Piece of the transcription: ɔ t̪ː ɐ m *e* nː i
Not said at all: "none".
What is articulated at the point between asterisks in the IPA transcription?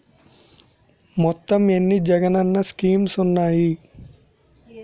e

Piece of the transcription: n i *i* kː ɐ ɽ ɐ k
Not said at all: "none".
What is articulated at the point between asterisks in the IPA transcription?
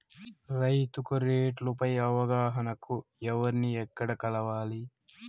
ɛ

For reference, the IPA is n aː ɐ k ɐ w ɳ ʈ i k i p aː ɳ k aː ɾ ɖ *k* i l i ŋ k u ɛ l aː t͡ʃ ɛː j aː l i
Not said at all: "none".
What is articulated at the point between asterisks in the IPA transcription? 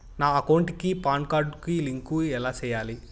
k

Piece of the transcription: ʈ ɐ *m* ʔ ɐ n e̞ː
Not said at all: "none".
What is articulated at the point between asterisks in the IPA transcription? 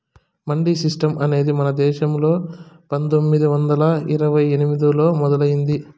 m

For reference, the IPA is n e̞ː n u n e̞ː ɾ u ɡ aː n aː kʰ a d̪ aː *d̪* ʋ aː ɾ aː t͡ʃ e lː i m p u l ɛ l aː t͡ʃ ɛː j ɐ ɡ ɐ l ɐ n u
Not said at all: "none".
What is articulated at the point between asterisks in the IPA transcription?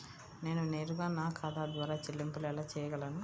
d̪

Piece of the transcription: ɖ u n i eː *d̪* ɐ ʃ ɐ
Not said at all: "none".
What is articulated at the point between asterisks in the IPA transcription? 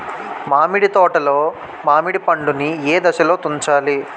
d̪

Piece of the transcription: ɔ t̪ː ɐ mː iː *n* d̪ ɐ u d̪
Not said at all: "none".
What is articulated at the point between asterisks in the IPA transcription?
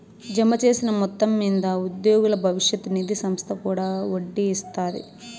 n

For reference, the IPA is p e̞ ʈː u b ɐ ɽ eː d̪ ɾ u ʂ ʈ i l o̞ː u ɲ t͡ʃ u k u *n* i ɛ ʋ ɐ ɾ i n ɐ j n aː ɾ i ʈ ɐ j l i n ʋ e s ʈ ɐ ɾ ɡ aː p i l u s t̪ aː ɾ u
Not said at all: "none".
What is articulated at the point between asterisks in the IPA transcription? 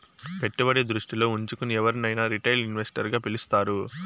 n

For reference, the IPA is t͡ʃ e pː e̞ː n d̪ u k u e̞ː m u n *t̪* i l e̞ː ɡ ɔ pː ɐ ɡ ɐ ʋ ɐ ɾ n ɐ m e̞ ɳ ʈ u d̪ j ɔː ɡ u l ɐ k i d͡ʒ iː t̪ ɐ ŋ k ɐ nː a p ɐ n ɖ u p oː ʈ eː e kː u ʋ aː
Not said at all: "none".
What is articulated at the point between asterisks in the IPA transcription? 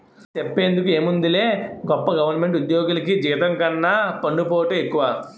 d̪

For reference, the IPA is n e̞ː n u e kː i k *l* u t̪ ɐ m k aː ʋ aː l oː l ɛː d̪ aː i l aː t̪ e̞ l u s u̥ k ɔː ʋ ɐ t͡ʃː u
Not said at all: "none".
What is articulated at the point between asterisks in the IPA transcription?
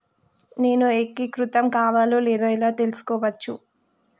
ɾ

